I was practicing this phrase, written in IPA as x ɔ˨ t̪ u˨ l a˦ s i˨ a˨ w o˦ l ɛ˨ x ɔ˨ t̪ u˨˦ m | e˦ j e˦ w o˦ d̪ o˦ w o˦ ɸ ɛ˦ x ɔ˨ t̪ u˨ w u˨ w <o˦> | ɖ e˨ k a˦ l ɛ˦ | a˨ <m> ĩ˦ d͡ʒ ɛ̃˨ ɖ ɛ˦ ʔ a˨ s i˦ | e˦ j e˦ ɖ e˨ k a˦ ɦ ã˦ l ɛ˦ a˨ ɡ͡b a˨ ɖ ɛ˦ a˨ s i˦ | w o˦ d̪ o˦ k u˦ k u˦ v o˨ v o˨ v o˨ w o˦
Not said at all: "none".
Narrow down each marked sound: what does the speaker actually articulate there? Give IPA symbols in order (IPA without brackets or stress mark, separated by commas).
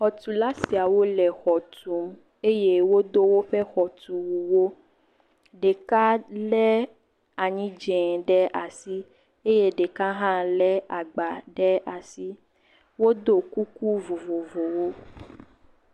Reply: o˦, ɲ